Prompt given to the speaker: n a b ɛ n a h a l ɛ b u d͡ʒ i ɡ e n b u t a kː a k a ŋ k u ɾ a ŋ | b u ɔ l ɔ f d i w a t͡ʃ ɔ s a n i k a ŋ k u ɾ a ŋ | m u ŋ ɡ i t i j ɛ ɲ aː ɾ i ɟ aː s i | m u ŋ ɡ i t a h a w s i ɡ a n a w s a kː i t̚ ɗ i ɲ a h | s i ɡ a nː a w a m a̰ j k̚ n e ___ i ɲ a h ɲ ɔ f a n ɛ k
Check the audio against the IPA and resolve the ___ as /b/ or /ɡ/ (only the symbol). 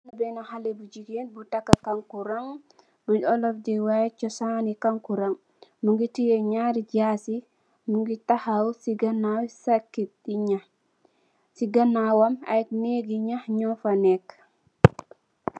ɡ